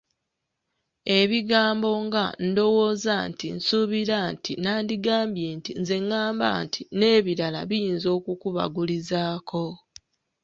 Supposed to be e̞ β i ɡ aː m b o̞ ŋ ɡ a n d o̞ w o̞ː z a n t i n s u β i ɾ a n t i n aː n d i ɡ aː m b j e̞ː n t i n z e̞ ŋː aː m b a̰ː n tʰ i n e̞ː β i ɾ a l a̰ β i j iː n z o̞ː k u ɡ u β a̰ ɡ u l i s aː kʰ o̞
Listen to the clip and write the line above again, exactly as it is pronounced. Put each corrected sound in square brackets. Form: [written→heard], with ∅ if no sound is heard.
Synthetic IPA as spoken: e̞ β i ɡ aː m b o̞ ŋ ɡ a n d o̞ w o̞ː z a n t i n s u β i ɾ a n t i n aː n d i ɡ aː m b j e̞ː n t i n z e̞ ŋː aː m b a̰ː n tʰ i n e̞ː β i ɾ a l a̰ β i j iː n z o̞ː k u [ɡ→k] u β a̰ ɡ u l i [s→z] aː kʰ o̞